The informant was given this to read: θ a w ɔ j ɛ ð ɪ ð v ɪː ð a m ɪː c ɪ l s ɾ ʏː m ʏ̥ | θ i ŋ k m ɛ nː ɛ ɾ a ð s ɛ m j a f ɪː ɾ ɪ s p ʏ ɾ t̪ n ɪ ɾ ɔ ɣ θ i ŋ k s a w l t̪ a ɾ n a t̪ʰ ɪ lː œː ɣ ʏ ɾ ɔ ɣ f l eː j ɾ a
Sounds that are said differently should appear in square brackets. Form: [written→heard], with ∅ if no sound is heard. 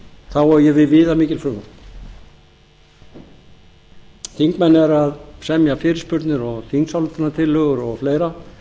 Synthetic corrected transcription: θ a w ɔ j ɛ [ð→v] ɪ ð v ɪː ð a m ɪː c ɪ l [s→f] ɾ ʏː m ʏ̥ | θ i ŋ k m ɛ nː ɛ ɾ a ð s ɛ m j a f ɪː ɾ ɪ s p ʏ ɾ t̪ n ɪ ɾ ɔ ɣ θ i ŋ k s a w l t̪ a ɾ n a t̪ʰ ɪ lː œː ɣ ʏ ɾ ɔ ɣ f l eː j ɾ a